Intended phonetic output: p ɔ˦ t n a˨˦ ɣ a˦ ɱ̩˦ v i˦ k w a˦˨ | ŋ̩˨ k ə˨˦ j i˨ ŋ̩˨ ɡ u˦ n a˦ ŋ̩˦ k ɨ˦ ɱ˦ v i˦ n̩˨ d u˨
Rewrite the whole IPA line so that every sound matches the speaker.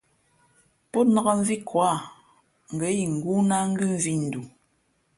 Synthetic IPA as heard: p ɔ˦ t n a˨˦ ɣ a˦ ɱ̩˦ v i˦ k w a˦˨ | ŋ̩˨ ɡ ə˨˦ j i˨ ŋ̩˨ ɡ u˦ n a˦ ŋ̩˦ ɡ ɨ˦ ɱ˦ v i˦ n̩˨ d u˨